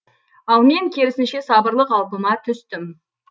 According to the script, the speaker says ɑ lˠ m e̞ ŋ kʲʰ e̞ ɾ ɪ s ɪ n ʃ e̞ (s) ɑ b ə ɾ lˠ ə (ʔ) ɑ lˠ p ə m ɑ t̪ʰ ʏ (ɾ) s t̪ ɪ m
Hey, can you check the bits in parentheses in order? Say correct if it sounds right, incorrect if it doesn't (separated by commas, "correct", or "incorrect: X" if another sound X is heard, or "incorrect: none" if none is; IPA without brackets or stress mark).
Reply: correct, incorrect: q, incorrect: none